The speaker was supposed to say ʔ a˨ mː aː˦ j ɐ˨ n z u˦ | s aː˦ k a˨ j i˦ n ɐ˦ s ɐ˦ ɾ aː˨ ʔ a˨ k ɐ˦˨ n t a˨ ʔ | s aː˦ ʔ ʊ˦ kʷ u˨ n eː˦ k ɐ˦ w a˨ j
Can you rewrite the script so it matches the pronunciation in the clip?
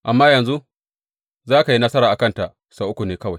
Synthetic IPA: ʔ a˨ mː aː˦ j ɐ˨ n z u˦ | z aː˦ k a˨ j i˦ n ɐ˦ s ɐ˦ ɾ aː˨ ʔ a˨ k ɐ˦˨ n t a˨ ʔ | s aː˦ ʔ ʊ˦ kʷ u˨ n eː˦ k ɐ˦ w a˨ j